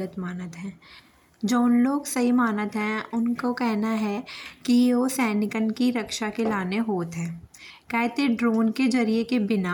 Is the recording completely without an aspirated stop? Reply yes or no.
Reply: yes